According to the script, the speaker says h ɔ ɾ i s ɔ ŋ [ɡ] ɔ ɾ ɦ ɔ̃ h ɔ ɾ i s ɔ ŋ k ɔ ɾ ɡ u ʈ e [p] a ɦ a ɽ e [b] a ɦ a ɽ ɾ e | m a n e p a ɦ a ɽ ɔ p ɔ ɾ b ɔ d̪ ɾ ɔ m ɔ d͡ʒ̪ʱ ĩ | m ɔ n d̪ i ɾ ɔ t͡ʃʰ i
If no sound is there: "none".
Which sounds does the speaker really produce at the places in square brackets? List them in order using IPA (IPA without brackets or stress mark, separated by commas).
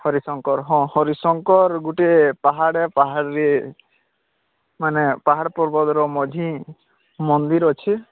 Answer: k, p, p